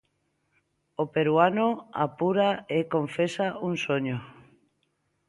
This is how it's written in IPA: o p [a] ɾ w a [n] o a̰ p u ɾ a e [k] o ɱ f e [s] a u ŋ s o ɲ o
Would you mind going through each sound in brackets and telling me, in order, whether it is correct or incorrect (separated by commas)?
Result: incorrect, correct, correct, correct